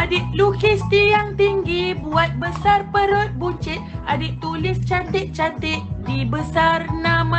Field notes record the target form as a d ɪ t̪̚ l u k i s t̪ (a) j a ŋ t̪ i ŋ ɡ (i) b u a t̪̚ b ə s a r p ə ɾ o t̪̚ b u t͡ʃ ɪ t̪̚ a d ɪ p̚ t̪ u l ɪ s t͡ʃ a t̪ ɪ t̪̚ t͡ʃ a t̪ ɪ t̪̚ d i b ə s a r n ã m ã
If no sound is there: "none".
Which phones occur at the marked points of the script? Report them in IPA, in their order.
i, i

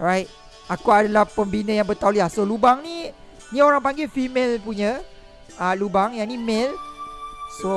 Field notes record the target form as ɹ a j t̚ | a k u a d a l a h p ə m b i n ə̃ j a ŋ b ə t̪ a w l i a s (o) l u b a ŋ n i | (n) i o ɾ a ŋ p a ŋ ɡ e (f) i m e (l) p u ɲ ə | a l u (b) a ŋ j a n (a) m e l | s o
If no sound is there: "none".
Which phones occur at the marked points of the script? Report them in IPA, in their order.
o, n, f, l, b, i

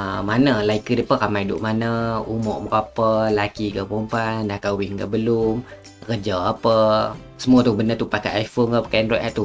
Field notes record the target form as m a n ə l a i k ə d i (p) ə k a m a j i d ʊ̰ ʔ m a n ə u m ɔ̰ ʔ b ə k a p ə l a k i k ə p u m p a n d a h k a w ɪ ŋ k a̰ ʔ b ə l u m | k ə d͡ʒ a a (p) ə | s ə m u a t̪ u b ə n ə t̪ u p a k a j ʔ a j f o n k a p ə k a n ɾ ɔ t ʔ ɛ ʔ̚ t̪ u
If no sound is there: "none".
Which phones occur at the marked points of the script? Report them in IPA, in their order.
p, p

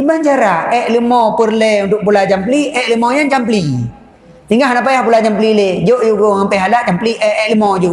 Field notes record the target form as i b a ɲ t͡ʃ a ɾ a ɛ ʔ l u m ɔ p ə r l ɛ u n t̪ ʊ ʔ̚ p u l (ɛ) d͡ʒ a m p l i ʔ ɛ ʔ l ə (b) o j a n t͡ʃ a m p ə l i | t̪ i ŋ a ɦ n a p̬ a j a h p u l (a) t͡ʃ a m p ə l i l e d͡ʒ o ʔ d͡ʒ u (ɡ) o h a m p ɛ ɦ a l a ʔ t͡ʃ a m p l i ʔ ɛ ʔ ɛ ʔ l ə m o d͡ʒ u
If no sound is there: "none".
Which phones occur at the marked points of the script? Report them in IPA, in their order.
a, m, a, ɡ

